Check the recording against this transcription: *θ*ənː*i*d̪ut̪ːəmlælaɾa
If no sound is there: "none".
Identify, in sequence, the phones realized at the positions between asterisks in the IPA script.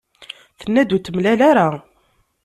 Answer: θ, æ

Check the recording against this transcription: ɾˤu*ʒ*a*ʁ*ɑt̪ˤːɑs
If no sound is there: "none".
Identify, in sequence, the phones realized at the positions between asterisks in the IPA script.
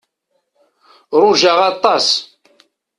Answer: ʒ, ʁ

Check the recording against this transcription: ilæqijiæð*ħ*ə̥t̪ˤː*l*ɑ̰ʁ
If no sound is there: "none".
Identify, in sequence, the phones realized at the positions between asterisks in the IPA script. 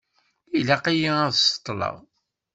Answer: s, l

